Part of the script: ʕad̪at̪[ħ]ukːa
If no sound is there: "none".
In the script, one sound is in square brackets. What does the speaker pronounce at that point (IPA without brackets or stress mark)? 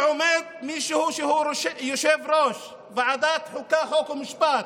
ħ